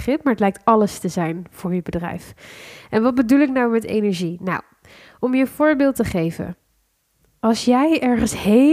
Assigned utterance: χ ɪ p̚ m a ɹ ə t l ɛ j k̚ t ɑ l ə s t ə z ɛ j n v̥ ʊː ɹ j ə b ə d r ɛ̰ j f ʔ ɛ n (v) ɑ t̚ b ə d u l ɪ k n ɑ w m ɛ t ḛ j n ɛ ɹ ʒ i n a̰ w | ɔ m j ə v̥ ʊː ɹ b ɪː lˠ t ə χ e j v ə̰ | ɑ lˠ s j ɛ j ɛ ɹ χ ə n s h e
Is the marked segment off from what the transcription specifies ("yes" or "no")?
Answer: yes